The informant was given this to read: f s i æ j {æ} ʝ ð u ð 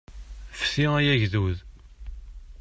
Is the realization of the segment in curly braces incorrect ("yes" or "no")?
no